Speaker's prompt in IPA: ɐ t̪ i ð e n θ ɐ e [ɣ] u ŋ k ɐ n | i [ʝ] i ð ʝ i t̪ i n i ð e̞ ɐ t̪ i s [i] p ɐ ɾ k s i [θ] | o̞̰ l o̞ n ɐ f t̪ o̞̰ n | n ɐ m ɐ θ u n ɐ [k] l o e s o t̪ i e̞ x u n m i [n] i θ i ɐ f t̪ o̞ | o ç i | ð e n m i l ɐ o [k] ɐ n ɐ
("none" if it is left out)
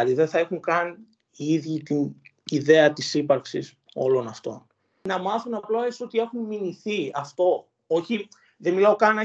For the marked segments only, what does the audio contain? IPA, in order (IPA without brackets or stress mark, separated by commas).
x, none, i, s, p, n, k